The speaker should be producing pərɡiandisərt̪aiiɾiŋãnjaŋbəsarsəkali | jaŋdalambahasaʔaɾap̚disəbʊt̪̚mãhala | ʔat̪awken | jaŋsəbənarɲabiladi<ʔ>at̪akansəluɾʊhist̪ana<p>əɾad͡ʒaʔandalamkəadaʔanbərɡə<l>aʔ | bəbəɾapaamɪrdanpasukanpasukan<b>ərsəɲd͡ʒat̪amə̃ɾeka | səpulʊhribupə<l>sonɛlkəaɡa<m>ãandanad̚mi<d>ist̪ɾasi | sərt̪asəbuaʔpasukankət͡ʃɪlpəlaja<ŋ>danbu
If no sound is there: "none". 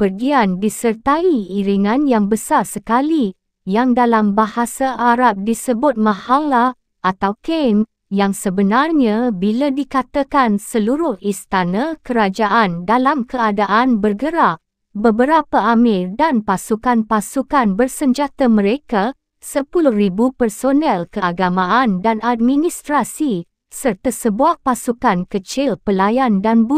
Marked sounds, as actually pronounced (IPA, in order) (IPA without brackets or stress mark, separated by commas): k, k, ɾ, b, r, m, n, n